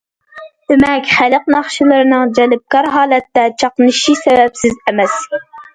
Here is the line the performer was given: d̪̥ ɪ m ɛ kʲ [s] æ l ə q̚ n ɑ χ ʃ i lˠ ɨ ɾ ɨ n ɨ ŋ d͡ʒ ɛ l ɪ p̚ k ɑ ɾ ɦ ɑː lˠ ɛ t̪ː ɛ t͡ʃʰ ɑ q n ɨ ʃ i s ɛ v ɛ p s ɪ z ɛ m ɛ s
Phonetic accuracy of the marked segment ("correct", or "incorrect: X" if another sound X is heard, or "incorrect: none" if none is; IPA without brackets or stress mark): incorrect: χ